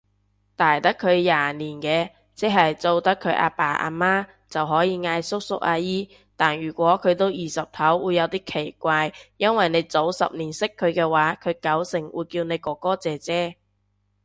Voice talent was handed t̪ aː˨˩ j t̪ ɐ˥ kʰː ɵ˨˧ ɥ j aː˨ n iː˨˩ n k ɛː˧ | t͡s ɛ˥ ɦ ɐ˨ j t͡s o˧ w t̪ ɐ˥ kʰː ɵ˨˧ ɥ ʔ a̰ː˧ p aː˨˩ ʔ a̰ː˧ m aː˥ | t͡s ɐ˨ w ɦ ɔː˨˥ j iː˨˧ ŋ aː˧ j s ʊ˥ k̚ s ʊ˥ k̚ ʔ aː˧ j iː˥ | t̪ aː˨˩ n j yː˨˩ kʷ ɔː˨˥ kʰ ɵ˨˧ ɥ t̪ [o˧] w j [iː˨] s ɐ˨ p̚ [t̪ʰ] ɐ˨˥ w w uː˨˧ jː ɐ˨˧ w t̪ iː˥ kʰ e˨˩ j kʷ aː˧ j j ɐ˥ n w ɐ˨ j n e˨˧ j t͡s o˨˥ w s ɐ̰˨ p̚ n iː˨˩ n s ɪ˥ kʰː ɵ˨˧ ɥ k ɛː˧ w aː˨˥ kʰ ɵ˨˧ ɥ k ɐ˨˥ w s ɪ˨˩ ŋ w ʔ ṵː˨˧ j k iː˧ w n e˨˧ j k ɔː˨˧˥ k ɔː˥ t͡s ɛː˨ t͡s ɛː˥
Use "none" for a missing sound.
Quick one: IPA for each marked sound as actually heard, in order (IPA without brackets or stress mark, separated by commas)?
o˥, iː˨, t̪ʰ